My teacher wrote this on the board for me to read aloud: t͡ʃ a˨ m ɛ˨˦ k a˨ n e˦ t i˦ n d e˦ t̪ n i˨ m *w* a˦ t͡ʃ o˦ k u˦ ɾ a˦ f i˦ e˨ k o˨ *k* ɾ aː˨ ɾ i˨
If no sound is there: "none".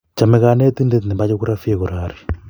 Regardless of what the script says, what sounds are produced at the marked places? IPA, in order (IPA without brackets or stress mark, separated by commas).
b, none